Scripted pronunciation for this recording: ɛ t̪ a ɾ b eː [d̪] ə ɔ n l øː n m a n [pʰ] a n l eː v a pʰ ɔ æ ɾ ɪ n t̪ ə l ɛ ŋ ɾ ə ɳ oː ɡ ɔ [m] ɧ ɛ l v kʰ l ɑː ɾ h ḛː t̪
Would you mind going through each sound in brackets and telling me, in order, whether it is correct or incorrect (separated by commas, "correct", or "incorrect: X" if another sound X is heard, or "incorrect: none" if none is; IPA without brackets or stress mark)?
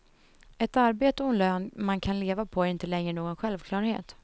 incorrect: t̪, incorrect: kʰ, incorrect: n